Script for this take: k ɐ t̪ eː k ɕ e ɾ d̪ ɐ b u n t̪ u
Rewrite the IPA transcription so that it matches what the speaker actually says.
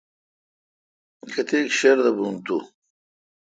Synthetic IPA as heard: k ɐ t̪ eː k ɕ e ɾ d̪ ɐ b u n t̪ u